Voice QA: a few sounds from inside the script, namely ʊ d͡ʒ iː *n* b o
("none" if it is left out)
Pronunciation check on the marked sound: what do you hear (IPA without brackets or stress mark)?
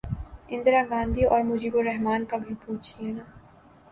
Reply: none